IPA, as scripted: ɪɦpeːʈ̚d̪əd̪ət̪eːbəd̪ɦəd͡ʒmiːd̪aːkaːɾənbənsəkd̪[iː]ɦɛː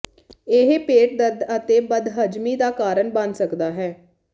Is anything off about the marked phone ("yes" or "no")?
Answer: yes